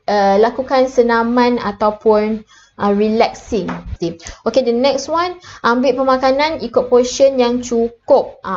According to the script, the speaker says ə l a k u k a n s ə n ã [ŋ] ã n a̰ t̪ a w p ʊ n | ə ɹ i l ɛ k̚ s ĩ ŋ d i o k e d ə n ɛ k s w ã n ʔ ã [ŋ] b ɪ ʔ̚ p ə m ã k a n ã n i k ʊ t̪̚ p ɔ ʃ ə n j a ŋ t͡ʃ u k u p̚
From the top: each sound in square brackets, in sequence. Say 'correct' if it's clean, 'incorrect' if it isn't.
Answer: incorrect: m, incorrect: m

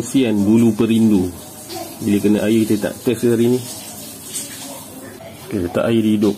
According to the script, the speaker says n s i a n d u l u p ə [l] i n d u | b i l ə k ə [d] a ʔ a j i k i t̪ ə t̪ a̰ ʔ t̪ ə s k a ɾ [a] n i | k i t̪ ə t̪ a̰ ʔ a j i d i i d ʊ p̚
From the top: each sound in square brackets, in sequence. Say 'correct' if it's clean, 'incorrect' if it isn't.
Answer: incorrect: ɾ, incorrect: n, incorrect: i

